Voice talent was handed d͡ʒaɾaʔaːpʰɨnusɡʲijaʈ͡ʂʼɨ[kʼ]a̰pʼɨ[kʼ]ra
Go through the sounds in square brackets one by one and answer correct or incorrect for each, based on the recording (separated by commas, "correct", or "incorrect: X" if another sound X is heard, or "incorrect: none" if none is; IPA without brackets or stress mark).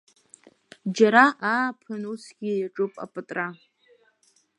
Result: incorrect: pʼ, incorrect: tʼ